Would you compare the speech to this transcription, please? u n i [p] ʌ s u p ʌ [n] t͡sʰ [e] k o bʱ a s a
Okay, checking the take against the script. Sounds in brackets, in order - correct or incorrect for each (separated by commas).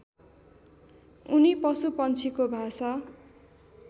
correct, correct, incorrect